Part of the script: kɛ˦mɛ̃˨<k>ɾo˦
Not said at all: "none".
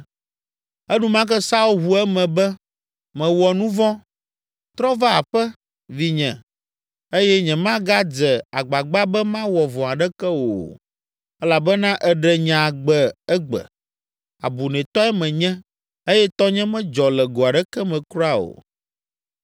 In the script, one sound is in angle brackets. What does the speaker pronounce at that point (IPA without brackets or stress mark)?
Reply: k